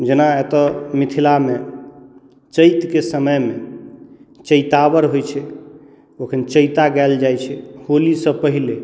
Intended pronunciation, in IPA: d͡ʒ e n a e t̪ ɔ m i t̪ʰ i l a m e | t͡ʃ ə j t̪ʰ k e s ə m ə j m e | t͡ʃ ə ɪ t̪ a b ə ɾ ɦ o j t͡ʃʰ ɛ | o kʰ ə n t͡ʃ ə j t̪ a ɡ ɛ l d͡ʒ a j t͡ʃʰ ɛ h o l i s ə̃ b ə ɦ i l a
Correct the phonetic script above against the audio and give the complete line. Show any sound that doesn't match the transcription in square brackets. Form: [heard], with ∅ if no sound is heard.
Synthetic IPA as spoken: d͡ʒ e n a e t̪ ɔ m i t̪ʰ i l a m e | t͡ʃ ə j [t̪] k e s ə m ə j m e | t͡ʃ ə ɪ t̪ a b ə ɾ ɦ o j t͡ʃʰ ɛ | o kʰ ə n t͡ʃ ə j t̪ a ɡ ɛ l d͡ʒ a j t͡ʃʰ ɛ h o l i s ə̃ [p] ə ɦ i l [e]

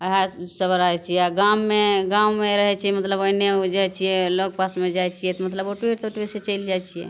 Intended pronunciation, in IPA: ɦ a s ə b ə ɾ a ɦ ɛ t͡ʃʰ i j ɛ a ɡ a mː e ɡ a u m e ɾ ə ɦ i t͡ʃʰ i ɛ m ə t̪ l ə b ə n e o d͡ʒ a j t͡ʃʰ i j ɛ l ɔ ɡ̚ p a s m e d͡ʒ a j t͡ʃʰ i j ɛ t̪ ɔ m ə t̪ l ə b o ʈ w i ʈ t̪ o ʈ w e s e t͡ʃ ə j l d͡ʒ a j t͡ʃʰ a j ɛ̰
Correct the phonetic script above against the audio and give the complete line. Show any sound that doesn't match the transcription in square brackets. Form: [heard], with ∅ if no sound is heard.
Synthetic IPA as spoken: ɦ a s ə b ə ɾ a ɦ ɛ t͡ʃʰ i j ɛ a ɡ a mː e ɡ a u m e ɾ ə ɦ [ɛ] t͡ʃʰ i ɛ m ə t̪ l ə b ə n e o d͡ʒ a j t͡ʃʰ i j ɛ l [o] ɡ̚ p a s m e d͡ʒ a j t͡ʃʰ i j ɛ t̪ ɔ m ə t̪ l ə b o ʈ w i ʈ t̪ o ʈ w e s e t͡ʃ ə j l d͡ʒ a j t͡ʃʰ [i] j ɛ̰

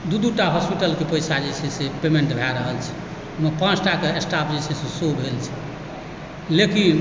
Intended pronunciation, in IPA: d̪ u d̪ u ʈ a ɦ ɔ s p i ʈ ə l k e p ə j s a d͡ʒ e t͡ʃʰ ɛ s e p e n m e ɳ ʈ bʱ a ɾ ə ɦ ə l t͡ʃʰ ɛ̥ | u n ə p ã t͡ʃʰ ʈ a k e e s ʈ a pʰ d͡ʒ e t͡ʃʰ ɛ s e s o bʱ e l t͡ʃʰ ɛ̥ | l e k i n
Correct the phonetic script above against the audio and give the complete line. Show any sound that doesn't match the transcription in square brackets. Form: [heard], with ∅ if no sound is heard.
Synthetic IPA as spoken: d̪ u d̪ u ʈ a ɦ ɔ s p i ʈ ə l k e p ə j s a d͡ʒ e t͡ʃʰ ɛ s e p e [∅] m e ɳ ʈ bʱ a ɾ ə ɦ ə l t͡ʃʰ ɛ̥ | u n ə p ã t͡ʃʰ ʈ a k e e s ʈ a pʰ d͡ʒ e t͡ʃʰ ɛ s e s o bʱ e l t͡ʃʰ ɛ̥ | l e k i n

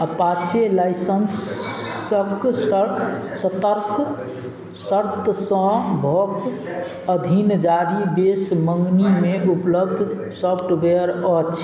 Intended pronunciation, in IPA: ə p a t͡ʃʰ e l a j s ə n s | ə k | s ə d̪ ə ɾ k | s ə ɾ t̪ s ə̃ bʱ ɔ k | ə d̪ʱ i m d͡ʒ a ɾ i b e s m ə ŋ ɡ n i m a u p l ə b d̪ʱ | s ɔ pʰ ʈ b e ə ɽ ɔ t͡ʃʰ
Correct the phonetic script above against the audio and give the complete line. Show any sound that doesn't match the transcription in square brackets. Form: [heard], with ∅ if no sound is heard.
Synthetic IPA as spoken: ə p a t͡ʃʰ e l a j s ə n s | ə k | s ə [t̪] ə ɾ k | s ə ɾ t̪ s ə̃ bʱ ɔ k | ə d̪ʱ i [n] d͡ʒ a ɾ i b e s m ə ŋ ɡ n i m [e] u p l ə b d̪ʱ | s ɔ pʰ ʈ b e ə [ɾ] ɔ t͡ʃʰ

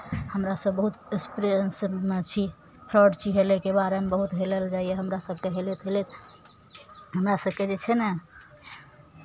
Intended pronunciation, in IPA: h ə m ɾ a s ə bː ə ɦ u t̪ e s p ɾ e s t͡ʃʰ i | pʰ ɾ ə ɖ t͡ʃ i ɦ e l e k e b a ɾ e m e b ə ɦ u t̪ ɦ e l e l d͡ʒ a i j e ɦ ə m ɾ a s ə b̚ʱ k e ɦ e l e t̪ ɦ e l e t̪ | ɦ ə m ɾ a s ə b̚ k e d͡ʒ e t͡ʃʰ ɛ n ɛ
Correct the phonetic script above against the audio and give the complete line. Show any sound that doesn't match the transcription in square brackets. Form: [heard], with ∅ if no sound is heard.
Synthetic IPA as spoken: h ə m ɾ a s ə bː ə ɦ u t̪ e s p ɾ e s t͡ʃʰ i | pʰ ɾ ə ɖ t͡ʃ i ɦ e l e k e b a ɾ e m e b ə ɦ u t̪ ɦ e l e l d͡ʒ a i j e ɦ ə m ɾ a s ə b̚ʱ k e ɦ e l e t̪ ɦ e l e t̪ | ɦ ə m ɾ a s ə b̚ k e d͡ʒ e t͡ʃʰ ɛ n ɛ

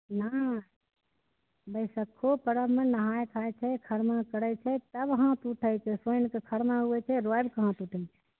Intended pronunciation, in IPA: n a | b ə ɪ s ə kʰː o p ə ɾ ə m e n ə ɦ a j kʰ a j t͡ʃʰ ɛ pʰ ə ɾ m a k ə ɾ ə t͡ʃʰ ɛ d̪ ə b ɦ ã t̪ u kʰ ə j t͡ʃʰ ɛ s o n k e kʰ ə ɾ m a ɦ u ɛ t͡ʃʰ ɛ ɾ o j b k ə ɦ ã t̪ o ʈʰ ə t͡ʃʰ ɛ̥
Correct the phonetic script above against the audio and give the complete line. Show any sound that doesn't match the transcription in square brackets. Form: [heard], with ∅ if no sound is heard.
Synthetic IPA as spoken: n a | b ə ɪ s ə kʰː o p ə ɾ ə m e n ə ɦ a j kʰ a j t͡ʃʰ ɛ [kʰ] ə ɾ m a k ə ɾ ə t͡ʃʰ ɛ [t̪] ə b ɦ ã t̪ u [ʈʰ] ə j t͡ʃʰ ɛ s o n k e kʰ ə ɾ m a ɦ u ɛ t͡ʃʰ ɛ ɾ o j b k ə ɦ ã t̪ [u] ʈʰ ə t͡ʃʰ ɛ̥

